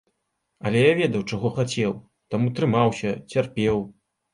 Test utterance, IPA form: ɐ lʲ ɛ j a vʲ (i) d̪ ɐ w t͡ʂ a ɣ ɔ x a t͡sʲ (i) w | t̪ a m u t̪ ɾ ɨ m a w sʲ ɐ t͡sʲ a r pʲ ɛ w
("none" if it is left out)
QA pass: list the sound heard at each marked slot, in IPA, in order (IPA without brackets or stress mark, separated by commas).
ɛ, ɛ